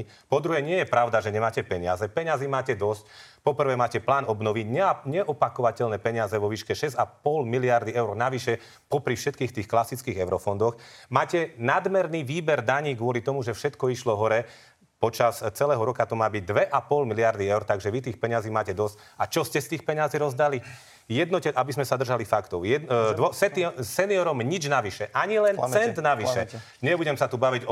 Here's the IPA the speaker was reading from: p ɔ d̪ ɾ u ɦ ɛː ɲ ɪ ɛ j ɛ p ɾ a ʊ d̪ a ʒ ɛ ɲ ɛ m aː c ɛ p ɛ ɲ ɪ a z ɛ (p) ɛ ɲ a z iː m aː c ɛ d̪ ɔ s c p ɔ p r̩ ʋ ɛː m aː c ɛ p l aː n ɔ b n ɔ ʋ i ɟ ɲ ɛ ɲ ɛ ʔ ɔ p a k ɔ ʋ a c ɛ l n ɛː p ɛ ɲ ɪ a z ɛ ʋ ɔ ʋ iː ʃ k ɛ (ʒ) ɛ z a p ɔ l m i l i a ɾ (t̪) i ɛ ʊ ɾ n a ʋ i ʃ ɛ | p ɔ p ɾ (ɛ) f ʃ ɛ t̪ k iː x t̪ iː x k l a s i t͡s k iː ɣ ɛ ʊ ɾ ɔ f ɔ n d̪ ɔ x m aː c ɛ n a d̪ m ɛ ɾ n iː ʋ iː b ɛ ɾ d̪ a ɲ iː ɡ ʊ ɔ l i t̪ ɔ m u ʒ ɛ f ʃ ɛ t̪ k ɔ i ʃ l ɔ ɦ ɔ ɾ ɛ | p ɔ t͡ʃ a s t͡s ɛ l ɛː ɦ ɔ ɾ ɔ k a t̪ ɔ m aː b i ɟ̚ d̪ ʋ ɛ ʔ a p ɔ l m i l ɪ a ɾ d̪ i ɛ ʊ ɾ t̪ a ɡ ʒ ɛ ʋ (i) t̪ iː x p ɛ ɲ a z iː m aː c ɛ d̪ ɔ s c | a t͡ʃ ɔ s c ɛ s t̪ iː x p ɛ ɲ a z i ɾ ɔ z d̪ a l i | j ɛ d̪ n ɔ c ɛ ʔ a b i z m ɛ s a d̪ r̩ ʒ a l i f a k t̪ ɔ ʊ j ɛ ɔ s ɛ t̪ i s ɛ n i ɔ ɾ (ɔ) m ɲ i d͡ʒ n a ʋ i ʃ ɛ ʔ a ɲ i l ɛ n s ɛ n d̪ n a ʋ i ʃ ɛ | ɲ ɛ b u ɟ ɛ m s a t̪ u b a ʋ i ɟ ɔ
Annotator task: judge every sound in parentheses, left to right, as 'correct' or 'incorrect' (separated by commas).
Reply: correct, incorrect, incorrect, incorrect, correct, correct